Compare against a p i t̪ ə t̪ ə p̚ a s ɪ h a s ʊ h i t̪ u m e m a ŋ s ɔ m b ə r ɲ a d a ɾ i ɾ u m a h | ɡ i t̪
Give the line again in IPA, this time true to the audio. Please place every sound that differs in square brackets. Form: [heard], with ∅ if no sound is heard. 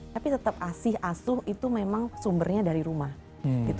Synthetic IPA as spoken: a p i t̪ ə t̪ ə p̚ a s ɪ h a s ʊ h i t̪ u m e m a ŋ s [u] m b ə r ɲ a d a ɾ i ɾ u m a h | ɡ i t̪

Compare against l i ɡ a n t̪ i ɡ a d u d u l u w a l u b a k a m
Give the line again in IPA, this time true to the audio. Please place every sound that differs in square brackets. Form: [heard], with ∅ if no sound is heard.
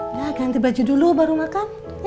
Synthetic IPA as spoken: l [a] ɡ a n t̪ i [b] a [d͡ʒ] u d u l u [b] a [ɾ] u [m] a k a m

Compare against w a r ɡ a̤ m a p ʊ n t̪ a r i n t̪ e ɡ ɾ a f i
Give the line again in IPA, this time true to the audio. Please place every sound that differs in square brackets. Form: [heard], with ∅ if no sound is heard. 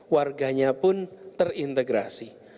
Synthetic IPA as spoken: w a r ɡ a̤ [ɲ] a p ʊ n t̪ [ə] r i n t̪ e ɡ ɾ a [s] i

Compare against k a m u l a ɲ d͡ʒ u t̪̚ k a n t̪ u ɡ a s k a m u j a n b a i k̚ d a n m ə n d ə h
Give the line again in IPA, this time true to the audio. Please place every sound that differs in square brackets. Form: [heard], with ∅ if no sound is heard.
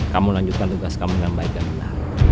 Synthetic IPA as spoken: k a m u l a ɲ d͡ʒ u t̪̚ k a n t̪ u ɡ a s k a m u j a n b a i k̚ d a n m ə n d [a] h

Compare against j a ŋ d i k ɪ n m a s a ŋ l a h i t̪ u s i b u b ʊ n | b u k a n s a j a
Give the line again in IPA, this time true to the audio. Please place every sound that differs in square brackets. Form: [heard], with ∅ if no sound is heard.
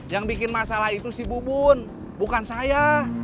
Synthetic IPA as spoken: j a ŋ [b] i k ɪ n m a s a [∅] l a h i t̪ u s i b u b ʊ n | b u k a n s a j a

